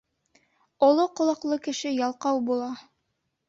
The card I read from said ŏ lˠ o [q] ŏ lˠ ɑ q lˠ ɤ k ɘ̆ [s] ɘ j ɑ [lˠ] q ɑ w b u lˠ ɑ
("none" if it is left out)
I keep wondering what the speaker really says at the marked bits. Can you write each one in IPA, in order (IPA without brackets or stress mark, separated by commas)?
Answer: q, ʃ, lˠ